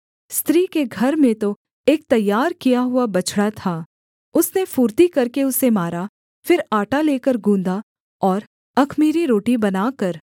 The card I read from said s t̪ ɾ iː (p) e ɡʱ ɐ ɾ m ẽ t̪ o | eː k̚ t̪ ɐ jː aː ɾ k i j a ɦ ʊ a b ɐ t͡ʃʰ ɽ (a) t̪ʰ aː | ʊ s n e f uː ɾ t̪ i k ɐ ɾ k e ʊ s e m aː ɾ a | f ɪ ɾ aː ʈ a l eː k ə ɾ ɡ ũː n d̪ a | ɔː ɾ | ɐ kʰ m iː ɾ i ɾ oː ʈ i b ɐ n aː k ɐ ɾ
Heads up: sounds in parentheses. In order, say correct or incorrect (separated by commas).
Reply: incorrect, correct